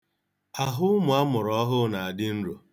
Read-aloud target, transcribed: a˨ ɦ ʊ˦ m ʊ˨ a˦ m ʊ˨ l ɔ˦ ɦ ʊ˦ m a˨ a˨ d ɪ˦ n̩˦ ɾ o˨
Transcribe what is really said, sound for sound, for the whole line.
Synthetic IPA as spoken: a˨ ɦ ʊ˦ m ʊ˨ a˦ m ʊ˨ ɾ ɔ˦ ɦ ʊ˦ n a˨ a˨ d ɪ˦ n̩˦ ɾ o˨

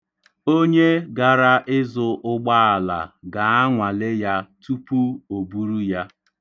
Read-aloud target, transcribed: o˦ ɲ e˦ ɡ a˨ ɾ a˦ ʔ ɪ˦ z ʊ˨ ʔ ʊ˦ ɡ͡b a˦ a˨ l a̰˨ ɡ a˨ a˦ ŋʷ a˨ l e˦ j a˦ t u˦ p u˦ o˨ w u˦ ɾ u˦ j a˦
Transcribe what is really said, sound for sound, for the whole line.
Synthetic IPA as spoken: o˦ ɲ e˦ ɡ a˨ ɾ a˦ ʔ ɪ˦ z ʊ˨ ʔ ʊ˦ ɡ͡b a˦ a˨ l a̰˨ ɡ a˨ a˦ ŋʷ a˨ l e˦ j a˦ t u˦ p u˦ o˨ b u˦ ɾ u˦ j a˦

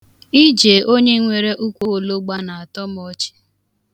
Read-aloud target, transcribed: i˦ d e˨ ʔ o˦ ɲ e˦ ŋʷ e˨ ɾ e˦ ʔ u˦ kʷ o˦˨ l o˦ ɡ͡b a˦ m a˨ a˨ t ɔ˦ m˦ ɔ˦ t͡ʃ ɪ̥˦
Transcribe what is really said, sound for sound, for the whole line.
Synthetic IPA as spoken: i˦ d͡ʒ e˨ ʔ o˦ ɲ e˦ ŋʷ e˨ ɾ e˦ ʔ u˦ kʷ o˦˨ l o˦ ɡ͡b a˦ n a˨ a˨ t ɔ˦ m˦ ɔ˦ t͡ʃ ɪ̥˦

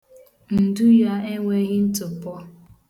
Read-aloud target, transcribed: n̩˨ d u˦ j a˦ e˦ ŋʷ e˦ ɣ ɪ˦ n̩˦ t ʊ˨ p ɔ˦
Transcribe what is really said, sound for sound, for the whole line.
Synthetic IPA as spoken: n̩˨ d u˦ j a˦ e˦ ŋʷ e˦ ɣ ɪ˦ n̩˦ t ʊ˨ p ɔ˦

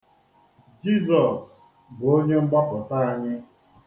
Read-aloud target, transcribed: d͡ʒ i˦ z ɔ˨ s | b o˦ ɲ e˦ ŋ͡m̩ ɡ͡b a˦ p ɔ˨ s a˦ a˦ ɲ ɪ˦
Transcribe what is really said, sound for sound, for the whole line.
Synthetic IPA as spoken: d͡ʒ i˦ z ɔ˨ s | b o˦ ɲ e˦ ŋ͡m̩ ɡ͡b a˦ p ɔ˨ t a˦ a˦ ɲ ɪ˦

